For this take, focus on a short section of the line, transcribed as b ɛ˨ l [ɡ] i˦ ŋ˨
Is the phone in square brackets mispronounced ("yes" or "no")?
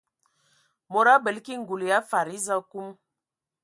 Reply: yes